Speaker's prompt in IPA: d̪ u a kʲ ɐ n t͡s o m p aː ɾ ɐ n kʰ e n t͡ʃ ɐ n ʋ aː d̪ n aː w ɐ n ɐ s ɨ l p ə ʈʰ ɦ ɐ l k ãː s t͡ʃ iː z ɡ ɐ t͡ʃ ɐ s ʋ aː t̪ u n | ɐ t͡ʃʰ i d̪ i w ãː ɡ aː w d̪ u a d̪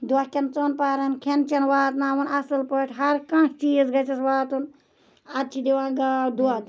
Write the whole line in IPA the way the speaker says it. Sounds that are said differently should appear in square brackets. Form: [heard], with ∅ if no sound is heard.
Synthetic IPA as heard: d̪ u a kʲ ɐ n t͡s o [n] p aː ɾ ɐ n kʰ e n t͡ʃ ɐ n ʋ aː [t̪] n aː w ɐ n ɐ s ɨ l p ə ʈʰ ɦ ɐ [ɾ] k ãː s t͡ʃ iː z ɡ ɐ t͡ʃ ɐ s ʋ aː t̪ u n | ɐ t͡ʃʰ i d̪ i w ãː ɡ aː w d̪ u a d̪